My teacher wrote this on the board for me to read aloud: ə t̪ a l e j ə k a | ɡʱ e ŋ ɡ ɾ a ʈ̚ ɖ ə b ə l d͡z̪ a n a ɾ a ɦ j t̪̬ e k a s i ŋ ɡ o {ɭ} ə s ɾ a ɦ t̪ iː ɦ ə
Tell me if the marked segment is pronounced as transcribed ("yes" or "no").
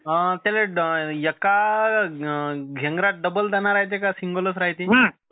no